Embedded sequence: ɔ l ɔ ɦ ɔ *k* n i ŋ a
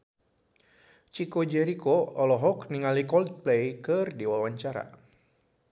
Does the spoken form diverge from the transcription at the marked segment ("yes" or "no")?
no